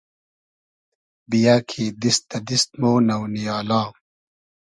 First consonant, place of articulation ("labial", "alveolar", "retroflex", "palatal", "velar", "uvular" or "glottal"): labial